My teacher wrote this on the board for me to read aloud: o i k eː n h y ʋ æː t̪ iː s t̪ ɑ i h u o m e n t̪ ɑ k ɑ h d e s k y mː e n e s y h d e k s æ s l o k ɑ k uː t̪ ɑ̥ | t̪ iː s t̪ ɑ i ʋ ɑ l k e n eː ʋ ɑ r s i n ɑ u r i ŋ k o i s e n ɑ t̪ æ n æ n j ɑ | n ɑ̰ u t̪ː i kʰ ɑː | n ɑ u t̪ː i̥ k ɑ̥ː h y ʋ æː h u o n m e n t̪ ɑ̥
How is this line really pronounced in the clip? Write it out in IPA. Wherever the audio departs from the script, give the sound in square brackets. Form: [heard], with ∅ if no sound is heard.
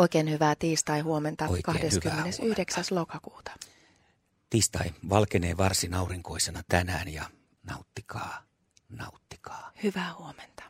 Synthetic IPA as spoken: o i k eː n h y ʋ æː t̪ iː s t̪ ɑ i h u o m e n t̪ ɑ k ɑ h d e s k y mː e n e s y h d e k s æ s l o k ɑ k uː t̪ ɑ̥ | t̪ iː s t̪ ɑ i ʋ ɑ l k e n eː ʋ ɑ r s i n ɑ u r i ŋ k o i s e n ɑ t̪ æ n [æː] n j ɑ | n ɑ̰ u t̪ː i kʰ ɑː | n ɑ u t̪ː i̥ k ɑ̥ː h y ʋ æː h u o [∅] m e n t̪ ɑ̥